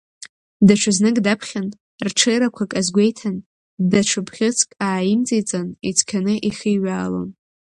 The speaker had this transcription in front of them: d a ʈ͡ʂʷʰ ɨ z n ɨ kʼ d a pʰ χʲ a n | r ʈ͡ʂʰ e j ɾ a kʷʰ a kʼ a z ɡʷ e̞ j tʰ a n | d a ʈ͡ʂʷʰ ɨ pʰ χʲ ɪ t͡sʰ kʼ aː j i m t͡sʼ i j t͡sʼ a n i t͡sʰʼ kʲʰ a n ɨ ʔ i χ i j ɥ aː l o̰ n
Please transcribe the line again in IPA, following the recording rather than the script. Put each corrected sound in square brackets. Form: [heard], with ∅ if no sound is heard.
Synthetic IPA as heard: d a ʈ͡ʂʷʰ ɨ z n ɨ kʼ d a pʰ χʲ a n | r ʈ͡ʂʰ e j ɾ a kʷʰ a kʼ a z ɡʷ e̞ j tʰ a n | d a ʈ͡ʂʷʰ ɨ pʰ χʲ ɪ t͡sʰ kʼ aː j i m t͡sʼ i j t͡sʼ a n i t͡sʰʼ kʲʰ a n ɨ ʔ i χ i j ɥ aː l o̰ n